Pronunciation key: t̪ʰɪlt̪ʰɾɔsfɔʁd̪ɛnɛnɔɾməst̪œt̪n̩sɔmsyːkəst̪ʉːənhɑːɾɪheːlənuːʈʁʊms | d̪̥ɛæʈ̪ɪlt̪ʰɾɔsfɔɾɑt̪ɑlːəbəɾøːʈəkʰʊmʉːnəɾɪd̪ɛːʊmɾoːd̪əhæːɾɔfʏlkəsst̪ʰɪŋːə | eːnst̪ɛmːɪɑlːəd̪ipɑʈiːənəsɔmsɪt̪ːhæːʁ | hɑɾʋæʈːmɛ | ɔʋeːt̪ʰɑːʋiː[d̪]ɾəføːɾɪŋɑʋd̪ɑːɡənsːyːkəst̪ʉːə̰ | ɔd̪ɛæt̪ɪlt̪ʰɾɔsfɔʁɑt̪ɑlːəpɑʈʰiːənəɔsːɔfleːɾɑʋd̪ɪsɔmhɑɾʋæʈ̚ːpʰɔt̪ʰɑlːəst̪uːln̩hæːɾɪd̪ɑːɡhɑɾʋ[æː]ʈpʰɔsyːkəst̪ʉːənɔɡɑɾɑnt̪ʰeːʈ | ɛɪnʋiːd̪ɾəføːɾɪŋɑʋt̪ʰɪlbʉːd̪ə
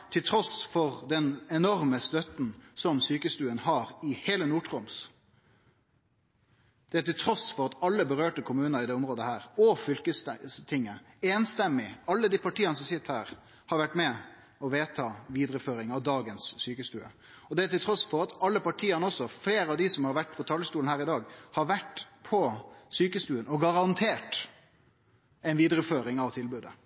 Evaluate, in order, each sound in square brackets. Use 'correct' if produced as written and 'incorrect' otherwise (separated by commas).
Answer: correct, incorrect